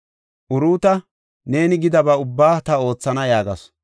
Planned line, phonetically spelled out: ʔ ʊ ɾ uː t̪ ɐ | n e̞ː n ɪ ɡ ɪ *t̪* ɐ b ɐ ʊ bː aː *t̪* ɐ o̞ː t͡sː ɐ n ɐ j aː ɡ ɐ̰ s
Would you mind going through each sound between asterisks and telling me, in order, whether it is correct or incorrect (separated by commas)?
incorrect, correct